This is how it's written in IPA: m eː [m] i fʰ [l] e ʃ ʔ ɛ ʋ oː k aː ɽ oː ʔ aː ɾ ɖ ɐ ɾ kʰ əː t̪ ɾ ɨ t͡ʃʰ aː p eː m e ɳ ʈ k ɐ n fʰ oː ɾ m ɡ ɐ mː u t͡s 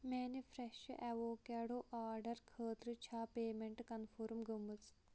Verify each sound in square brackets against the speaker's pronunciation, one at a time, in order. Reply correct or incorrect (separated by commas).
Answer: incorrect, incorrect